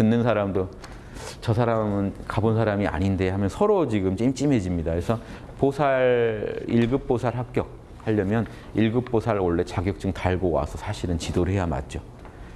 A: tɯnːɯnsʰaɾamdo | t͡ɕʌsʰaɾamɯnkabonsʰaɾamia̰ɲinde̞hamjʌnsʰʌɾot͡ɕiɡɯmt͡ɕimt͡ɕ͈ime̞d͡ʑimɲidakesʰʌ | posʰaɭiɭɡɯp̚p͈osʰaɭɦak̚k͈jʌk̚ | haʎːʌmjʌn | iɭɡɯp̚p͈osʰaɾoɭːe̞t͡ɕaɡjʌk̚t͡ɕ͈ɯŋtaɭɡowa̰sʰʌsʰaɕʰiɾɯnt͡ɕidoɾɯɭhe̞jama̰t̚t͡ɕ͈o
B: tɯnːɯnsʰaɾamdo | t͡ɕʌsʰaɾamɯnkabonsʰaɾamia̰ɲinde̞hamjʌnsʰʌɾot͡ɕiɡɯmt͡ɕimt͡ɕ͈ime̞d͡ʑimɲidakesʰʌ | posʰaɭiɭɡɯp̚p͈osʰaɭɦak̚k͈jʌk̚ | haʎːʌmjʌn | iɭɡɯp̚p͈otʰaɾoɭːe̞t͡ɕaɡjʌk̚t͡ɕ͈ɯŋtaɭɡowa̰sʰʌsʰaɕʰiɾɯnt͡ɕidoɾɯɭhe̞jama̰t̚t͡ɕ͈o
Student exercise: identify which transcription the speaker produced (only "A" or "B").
A